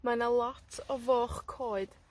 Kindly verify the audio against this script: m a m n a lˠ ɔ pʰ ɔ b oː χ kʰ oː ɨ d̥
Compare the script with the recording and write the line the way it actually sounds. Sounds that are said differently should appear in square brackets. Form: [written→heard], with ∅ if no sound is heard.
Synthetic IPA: m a [m→∅] n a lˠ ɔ [pʰ→tʰ] ɔ [b→v] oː χ kʰ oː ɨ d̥